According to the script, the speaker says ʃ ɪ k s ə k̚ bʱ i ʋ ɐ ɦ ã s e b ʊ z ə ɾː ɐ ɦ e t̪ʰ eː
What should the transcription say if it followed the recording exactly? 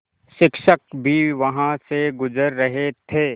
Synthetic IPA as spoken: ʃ ɪ k ʃ ə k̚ bʱ i ʋ ɐ ɦ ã s e ɡ ʊ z ə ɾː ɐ ɦ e t̪ʰ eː